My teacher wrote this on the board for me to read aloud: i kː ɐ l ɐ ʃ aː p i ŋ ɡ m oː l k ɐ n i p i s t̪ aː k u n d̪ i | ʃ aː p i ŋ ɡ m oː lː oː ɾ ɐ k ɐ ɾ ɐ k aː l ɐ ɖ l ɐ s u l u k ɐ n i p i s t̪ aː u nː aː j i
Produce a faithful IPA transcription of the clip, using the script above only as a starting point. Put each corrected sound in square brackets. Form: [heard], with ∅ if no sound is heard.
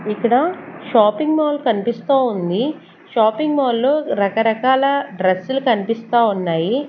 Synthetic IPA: i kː ɐ [ɽ] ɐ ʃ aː p i ŋ ɡ m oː l k ɐ n i p i s t̪ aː [∅] u n d̪ i | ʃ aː p i ŋ ɡ m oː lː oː ɾ ɐ k ɐ ɾ ɐ k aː l ɐ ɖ [ɾ] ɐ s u l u k ɐ n i p i s t̪ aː u nː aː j i